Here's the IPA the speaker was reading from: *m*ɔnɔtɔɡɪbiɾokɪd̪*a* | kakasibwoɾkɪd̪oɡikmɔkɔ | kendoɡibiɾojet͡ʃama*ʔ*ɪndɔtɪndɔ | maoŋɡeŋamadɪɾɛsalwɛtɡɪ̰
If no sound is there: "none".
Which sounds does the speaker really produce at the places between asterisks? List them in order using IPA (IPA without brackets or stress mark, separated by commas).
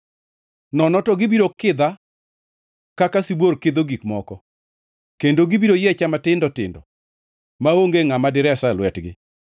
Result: n, a, t